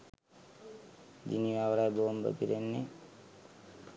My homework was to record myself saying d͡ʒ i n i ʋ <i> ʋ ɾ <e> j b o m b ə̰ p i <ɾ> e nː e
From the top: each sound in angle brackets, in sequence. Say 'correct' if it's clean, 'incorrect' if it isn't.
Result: incorrect: a, incorrect: a, correct

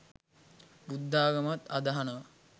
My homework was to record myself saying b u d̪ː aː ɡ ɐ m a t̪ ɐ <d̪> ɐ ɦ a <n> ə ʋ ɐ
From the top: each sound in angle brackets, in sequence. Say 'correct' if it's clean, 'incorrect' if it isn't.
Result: correct, correct

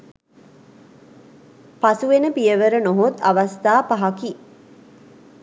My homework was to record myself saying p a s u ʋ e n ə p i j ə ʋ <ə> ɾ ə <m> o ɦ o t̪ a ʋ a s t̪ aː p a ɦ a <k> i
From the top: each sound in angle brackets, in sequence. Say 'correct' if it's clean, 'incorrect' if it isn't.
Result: correct, incorrect: n, correct

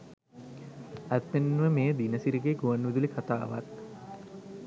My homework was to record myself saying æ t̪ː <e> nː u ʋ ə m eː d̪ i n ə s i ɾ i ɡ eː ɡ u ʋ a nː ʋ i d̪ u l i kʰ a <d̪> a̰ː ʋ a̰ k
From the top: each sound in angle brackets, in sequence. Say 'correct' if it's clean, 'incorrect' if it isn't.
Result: correct, incorrect: t̪

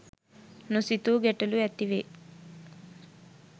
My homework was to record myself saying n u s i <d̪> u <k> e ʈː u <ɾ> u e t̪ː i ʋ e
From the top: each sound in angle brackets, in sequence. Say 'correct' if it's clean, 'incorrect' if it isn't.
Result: incorrect: t̪, incorrect: ɡ, incorrect: l

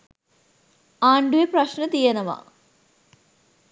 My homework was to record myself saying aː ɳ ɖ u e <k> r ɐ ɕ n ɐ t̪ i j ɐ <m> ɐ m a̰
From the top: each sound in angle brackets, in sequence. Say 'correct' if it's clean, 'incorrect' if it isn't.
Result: incorrect: p, incorrect: n

